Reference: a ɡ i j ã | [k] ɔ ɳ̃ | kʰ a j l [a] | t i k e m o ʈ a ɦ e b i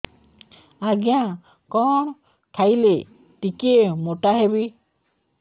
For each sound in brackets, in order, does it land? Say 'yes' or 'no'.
yes, no

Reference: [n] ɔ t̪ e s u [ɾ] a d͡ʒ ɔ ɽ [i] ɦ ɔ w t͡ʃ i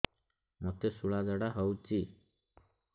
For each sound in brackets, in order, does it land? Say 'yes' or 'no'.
yes, no, no

